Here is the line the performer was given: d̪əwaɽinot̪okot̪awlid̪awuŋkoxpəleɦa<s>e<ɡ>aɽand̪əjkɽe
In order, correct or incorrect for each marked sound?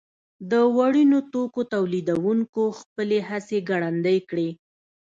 correct, correct

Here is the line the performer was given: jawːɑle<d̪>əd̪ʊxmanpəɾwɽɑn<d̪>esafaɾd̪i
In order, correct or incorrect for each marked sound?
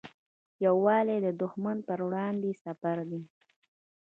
correct, correct

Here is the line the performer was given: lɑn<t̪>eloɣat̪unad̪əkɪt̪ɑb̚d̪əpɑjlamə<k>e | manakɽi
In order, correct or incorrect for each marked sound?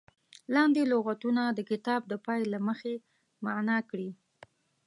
incorrect: d̪, incorrect: x

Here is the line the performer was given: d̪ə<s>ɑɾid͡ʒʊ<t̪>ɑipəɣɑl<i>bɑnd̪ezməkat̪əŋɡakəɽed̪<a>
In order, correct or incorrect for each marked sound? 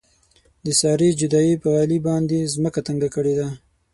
correct, incorrect: d̪, correct, correct

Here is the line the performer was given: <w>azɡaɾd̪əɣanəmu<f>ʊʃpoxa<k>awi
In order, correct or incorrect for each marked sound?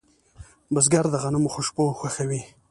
incorrect: b, incorrect: x, incorrect: x

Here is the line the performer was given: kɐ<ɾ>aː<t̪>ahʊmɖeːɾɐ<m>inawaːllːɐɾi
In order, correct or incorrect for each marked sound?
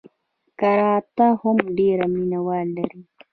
correct, correct, correct

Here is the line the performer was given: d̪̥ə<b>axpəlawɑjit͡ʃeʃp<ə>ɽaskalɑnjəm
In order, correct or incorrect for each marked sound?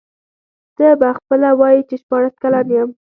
correct, incorrect: ɑ

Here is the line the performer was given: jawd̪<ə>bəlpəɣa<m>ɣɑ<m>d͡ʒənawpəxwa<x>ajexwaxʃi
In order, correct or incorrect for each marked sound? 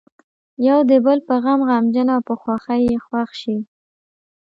correct, correct, correct, correct

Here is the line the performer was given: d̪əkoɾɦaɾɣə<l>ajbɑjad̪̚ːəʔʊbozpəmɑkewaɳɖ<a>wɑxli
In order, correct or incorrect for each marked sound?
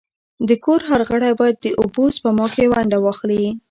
incorrect: ɽ, correct

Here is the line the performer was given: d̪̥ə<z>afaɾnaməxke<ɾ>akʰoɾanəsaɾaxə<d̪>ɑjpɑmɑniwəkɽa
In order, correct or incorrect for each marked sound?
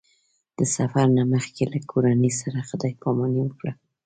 incorrect: s, incorrect: l, correct

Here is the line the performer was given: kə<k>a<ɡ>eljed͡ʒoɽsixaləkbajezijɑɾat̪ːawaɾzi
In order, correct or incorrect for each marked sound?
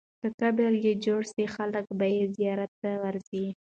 correct, incorrect: b

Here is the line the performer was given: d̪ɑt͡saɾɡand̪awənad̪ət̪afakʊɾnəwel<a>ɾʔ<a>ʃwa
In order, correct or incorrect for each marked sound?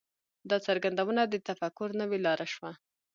incorrect: ɑ, correct

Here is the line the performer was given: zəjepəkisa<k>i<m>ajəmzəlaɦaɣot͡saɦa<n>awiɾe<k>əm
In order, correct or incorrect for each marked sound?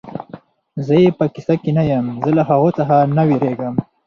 correct, incorrect: n, correct, incorrect: ɡ

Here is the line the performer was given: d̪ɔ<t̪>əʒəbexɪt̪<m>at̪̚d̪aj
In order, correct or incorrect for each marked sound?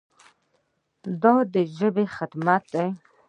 incorrect: d̪, correct

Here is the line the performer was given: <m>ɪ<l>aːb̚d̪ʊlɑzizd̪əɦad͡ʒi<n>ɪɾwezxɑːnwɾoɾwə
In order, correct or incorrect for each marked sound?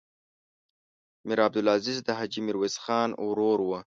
correct, incorrect: ɾ, incorrect: m

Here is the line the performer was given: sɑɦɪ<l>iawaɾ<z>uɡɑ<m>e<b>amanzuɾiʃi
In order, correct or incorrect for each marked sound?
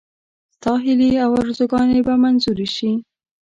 correct, correct, incorrect: n, correct

